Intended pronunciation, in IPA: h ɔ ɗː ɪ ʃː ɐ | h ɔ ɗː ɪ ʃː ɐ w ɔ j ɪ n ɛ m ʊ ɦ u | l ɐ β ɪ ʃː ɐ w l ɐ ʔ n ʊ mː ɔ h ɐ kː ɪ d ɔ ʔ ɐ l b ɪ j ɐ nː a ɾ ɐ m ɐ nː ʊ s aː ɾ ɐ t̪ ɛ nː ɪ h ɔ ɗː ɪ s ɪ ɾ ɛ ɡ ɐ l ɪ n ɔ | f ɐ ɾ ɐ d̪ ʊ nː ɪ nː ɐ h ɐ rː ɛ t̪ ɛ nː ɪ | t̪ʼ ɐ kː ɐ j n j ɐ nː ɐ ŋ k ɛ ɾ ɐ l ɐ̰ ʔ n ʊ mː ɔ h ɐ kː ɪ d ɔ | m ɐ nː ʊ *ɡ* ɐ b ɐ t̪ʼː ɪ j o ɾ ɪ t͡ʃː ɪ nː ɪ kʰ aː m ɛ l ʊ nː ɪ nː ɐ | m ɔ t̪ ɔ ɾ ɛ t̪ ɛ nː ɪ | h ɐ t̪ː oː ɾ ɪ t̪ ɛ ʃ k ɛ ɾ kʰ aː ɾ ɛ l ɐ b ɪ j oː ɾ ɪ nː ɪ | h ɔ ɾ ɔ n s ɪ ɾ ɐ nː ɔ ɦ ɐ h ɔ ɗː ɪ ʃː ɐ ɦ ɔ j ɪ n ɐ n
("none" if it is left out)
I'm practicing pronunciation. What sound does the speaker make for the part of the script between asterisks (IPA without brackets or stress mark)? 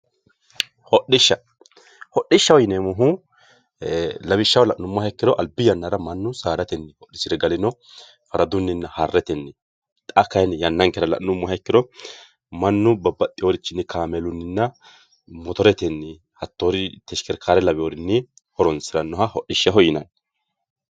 b